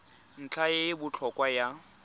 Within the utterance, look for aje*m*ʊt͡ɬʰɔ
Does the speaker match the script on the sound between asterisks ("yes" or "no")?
no